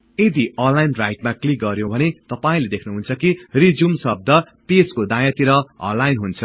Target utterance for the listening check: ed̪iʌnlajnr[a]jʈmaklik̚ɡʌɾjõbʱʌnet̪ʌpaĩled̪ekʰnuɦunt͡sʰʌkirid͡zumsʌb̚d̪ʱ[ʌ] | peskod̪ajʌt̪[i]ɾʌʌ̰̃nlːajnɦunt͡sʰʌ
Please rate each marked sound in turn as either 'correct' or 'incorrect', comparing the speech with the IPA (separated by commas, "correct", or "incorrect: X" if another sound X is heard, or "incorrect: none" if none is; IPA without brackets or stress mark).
correct, correct, correct